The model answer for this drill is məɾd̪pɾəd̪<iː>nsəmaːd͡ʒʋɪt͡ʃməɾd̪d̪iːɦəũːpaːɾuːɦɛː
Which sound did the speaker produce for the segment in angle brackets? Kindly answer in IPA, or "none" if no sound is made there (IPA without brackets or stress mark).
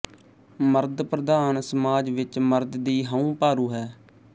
aː